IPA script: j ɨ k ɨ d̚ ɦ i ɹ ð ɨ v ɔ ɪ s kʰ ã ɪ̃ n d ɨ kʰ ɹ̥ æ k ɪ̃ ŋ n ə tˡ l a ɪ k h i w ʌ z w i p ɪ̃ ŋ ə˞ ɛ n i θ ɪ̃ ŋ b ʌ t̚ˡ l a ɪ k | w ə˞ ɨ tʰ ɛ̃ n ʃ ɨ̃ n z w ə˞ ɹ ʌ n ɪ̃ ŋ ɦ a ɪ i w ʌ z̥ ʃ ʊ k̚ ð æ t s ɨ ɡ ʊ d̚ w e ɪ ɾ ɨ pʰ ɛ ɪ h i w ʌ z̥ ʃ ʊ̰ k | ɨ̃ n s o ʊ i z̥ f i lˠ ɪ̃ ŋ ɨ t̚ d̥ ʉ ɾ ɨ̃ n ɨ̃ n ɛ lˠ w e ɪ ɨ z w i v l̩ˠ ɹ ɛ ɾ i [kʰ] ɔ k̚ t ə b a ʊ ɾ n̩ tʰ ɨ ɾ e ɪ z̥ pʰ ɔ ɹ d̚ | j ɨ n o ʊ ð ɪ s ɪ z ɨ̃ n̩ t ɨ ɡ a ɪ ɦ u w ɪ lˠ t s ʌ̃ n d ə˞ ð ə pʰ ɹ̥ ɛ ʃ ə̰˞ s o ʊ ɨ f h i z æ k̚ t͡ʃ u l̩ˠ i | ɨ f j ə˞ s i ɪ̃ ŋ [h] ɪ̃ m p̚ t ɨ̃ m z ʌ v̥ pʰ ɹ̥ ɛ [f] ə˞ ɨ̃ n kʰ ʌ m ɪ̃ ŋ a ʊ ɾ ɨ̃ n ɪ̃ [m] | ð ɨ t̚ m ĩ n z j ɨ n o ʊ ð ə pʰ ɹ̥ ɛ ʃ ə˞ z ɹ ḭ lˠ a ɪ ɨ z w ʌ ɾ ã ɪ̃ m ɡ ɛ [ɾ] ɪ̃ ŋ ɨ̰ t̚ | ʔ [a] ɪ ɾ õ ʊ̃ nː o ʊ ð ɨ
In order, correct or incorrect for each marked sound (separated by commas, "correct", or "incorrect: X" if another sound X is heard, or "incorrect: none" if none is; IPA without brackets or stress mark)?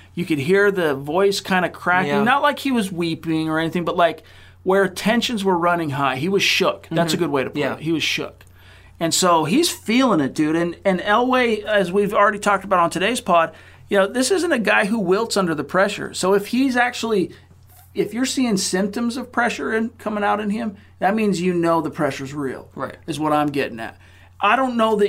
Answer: incorrect: tʰ, incorrect: s, incorrect: ʃ, correct, correct, correct